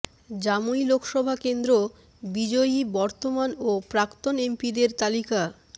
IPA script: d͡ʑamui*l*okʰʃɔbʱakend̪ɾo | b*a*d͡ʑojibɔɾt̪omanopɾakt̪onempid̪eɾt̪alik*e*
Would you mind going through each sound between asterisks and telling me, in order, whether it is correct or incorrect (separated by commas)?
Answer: correct, incorrect, incorrect